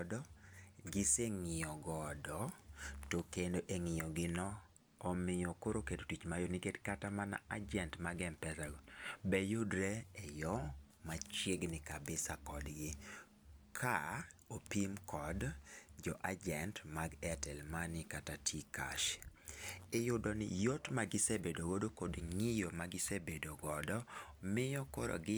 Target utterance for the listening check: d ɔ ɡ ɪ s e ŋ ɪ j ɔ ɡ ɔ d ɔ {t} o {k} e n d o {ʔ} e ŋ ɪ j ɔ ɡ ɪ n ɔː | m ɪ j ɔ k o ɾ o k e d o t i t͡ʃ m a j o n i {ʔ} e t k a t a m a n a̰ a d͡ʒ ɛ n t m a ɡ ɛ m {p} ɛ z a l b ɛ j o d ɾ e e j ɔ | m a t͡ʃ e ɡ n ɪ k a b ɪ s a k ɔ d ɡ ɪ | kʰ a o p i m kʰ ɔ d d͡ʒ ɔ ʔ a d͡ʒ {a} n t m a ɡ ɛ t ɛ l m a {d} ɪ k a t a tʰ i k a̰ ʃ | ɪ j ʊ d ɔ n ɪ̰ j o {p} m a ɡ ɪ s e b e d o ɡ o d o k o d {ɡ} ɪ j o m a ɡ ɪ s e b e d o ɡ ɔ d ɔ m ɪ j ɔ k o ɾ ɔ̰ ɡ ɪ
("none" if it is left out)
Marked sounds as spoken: t, k, ʔ, k, p, ɛ, n, t, ŋ

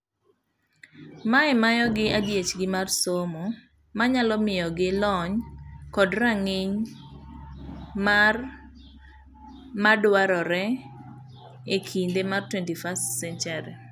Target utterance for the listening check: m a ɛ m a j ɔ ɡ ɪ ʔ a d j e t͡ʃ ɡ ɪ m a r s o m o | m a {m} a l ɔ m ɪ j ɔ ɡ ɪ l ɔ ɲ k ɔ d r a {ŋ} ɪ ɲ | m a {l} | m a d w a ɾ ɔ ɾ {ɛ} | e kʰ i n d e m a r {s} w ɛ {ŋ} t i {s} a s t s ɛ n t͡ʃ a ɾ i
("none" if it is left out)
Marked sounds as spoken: ɲ, ŋ, r, ɛ, t, n, f

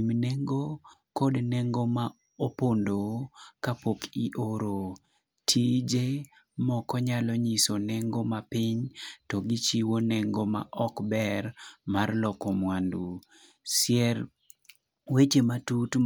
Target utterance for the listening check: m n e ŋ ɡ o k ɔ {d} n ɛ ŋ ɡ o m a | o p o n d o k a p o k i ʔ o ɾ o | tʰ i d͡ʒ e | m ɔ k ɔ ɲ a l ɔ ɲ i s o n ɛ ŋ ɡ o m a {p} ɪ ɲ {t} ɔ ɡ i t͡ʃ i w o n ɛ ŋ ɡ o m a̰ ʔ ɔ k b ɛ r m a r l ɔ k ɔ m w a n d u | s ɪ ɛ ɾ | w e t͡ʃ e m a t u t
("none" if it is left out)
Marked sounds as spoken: d, p, t

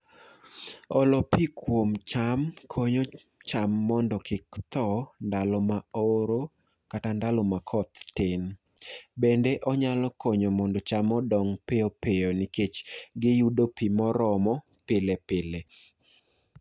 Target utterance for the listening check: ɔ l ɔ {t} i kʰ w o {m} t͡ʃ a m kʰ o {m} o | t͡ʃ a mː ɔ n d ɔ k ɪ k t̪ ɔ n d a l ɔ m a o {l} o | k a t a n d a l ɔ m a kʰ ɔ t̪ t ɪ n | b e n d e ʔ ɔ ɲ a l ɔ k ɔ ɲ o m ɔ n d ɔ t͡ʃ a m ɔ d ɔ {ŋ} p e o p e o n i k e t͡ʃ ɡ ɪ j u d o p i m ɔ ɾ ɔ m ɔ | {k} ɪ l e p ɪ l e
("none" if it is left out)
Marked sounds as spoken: p, m, ɲ, ɾ, ŋ, p

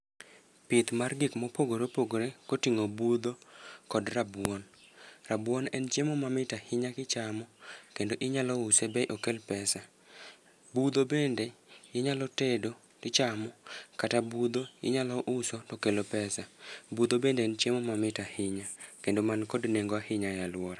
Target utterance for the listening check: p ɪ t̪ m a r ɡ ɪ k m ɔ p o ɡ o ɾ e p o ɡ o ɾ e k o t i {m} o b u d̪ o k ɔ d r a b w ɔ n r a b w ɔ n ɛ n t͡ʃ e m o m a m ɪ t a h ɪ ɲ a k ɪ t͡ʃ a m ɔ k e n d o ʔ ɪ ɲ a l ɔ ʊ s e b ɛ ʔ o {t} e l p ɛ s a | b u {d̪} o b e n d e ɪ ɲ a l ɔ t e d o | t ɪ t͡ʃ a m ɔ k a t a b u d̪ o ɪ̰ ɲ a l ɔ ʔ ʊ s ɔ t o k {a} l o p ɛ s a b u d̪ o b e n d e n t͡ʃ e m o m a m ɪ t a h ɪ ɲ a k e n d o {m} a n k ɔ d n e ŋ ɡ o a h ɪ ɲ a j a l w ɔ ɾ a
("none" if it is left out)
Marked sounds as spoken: ŋ, k, d̪, e, m

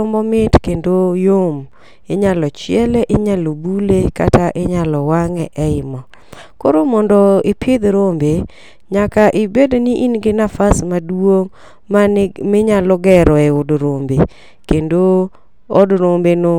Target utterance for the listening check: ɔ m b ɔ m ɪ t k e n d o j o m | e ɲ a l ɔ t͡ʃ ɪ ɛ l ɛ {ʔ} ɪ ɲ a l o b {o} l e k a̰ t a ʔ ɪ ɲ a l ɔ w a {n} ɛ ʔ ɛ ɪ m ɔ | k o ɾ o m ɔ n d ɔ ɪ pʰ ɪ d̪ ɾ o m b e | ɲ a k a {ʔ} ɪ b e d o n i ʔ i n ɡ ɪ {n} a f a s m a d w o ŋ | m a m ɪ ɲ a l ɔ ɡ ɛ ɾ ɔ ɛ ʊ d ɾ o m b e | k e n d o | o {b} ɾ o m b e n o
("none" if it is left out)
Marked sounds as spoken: ʔ, u, ŋ, ʔ, n, d

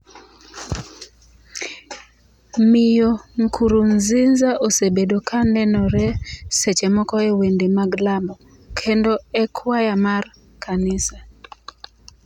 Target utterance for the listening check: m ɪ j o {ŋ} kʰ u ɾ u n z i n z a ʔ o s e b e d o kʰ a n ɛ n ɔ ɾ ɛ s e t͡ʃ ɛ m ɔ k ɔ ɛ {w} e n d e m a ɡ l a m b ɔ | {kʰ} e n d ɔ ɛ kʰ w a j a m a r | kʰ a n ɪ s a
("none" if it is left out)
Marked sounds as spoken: ŋ, w, kʰ

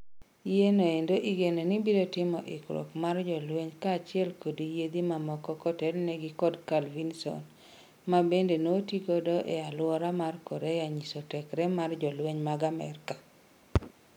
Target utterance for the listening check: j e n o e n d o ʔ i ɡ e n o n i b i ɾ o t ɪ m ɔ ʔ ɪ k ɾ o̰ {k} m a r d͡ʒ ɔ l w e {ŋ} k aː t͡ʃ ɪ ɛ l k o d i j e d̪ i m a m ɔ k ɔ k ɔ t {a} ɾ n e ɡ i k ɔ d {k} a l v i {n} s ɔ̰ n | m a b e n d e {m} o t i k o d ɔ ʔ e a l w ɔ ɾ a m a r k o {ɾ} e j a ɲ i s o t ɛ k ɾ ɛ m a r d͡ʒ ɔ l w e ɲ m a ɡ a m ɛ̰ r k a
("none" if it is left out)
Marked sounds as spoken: k, ɲ, ɛ, k, n, n, ɾ

